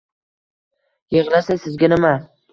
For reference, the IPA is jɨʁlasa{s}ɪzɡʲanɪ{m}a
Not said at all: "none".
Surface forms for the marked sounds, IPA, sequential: s, m

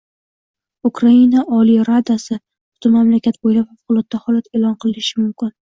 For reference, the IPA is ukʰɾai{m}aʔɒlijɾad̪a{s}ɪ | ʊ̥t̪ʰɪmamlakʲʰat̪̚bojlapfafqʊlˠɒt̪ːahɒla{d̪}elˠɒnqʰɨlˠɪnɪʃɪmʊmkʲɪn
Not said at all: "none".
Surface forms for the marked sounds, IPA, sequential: n, s, t̪

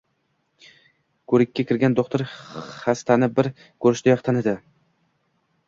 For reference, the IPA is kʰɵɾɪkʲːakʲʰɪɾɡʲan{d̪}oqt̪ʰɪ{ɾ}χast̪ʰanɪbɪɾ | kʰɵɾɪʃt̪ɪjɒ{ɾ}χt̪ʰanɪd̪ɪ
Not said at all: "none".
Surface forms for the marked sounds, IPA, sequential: d̪, ɾ, none

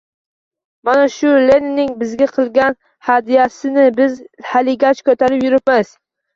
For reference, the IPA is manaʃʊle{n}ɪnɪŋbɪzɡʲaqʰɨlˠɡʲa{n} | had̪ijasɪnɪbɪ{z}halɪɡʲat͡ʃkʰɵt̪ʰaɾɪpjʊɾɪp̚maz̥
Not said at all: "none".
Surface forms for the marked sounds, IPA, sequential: n, n, z

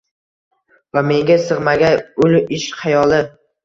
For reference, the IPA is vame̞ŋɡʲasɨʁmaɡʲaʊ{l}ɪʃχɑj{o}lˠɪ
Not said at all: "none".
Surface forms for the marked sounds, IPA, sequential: l, ɒ

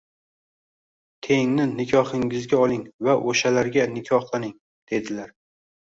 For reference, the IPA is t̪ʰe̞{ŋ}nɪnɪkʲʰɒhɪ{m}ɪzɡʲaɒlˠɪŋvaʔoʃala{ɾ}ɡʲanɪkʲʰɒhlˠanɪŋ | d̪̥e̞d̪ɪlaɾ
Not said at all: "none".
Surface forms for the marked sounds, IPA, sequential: ŋ, ŋ, ɾ

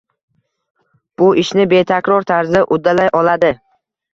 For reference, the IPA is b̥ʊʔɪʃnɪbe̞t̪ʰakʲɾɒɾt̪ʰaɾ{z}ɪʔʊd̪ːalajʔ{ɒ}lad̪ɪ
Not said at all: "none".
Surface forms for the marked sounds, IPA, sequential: z, ɒ

